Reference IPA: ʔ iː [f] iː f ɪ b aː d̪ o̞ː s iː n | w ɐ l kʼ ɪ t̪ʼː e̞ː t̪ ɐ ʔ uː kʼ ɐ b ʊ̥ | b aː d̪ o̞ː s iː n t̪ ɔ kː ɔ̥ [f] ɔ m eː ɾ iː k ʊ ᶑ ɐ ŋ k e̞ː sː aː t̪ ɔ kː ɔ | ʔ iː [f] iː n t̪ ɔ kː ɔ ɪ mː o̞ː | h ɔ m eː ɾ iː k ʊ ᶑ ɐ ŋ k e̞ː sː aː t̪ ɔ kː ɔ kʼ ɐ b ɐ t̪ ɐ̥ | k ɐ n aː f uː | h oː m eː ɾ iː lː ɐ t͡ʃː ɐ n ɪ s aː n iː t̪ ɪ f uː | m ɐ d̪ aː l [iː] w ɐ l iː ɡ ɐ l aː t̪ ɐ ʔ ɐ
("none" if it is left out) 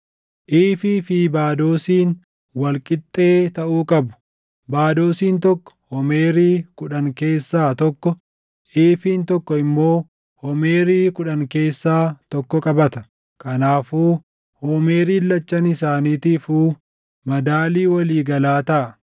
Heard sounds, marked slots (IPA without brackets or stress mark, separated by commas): f, h, f, iː